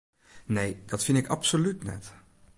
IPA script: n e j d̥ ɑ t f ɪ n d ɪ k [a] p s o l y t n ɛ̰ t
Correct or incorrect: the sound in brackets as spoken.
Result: incorrect: ɑ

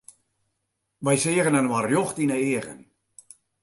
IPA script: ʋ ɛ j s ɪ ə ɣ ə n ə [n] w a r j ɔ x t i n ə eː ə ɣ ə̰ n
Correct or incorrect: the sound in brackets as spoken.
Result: correct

